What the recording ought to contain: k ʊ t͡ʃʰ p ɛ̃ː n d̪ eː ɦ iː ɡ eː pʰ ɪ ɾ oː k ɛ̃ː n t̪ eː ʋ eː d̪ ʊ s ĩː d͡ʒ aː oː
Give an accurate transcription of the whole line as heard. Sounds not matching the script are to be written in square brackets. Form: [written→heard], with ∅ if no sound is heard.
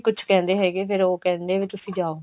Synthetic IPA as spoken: k ʊ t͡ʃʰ [p→k] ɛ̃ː n d̪ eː ɦ [iː→ɛː] ɡ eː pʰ ɪ ɾ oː k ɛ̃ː n [t̪→d̪] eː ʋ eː [d̪→t̪] ʊ s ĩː d͡ʒ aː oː